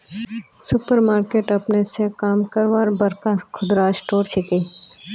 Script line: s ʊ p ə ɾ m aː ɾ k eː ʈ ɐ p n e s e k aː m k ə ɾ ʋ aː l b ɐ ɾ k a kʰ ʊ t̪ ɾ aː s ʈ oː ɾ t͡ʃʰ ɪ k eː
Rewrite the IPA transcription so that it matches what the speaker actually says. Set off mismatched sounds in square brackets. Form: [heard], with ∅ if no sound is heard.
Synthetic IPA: s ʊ p ə ɾ m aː ɾ k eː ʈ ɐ p n e s e k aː m k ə ɾ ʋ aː [ɾ] b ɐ ɾ k a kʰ ʊ [d̪] ɾ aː s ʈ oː ɾ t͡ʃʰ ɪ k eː

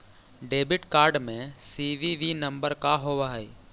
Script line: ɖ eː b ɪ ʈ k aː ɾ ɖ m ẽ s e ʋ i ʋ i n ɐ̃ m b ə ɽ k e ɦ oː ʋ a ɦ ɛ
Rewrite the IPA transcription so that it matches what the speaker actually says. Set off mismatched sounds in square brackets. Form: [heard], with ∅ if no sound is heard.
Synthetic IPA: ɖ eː b ɪ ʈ k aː ɾ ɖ m ẽ s [i] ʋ i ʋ i n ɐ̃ m b ə [ɾ] k [a] ɦ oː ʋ a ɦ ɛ

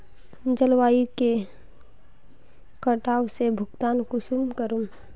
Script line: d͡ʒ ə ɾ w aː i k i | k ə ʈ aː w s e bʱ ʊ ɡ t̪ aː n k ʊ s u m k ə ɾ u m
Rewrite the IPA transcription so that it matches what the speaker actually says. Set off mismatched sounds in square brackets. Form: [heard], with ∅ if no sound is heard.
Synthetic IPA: d͡ʒ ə [l] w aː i k [e] | k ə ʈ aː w s e bʱ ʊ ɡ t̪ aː n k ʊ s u m k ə ɾ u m

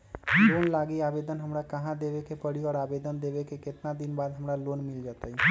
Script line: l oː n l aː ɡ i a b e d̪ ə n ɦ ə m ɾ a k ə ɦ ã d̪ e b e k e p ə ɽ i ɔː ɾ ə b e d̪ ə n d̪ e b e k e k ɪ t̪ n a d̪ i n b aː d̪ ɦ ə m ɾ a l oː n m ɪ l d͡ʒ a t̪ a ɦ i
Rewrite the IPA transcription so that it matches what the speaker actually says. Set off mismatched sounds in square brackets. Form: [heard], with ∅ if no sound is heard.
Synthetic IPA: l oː n l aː ɡ i a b e d̪ ə n ɦ ə m ɾ a k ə ɦ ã d̪ e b e k e p ə ɽ i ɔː ɾ [a] b e d̪ ə n d̪ e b e k e k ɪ t̪ n a d̪ i n b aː d̪ ɦ ə m ɾ a l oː n m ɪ l d͡ʒ a t̪ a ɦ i

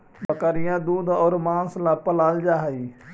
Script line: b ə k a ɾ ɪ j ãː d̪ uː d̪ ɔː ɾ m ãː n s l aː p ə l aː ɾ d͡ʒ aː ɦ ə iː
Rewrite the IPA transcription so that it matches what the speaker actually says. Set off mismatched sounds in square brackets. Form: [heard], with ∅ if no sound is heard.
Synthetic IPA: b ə k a ɾ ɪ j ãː d̪ uː d̪ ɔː ɾ m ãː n s l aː p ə l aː [l] d͡ʒ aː ɦ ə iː

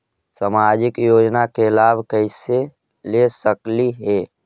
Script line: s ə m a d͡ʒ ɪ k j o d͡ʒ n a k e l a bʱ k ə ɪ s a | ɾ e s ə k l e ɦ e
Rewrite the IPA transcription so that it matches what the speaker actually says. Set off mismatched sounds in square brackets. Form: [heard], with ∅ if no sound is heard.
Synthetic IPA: s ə m a d͡ʒ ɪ k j o d͡ʒ n a k e l a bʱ k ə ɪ s [e] | [l] e s ə k l [i] ɦ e

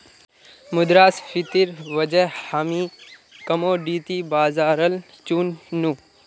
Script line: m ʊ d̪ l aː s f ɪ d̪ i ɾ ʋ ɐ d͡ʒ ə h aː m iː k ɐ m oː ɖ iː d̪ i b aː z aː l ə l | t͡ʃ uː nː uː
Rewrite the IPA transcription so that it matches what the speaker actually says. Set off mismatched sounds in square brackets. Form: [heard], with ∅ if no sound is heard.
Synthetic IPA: m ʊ d̪ [ɾ] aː s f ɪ [t̪] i ɾ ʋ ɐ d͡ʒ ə h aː m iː k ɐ m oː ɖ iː [t̪] i b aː z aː [ɾ] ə l | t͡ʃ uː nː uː

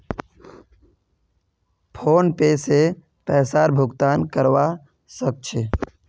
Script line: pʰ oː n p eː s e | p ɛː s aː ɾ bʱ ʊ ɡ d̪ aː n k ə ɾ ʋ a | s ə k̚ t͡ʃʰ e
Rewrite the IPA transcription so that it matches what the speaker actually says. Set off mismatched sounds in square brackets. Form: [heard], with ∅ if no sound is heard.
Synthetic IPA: pʰ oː n p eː s e | p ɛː s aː ɾ bʱ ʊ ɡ [t̪] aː n k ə ɾ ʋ a | s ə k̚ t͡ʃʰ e

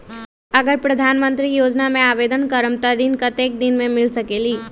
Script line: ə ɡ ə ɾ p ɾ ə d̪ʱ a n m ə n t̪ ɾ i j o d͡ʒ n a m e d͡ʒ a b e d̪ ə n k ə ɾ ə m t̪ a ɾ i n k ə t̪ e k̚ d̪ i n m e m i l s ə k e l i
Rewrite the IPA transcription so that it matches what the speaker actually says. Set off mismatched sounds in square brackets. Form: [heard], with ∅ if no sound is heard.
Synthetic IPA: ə ɡ ə ɾ p ɾ ə d̪ʱ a n m ə n t̪ ɾ i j o d͡ʒ n a m e [∅] a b e d̪ ə n k ə ɾ ə m t̪ [ə] ɾ i n k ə t̪ e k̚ d̪ i n m e m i l s ə k e l i

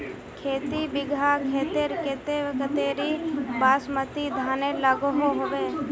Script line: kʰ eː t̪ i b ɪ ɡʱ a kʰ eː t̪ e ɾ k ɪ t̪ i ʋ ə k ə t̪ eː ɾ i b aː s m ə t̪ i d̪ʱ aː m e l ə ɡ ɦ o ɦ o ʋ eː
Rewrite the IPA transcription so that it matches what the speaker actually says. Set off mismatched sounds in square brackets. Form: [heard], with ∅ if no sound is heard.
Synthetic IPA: kʰ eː t̪ i b ɪ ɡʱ a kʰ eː t̪ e ɾ k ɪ t̪ [e] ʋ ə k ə t̪ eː ɾ i b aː s m ə t̪ i d̪ʱ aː [n] e l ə ɡ ɦ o ɦ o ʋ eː

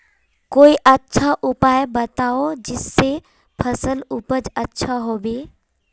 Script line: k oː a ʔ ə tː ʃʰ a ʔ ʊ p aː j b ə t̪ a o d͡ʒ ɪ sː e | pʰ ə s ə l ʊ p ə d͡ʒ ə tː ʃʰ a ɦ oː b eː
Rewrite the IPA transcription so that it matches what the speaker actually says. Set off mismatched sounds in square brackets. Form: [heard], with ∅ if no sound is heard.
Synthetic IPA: k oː [i] ʔ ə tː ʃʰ a ʔ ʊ p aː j b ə t̪ a o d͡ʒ ɪ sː e | pʰ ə s ə l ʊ p ə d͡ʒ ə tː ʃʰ a ɦ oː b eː

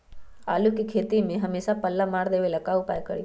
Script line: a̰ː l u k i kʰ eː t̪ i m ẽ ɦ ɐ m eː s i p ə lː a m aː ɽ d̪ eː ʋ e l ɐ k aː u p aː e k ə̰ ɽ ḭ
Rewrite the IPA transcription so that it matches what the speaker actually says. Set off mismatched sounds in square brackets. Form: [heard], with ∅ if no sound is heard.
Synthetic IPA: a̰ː l u k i kʰ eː t̪ i m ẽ ɦ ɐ m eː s [a] p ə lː a m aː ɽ d̪ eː ʋ e l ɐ k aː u p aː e k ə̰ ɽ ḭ

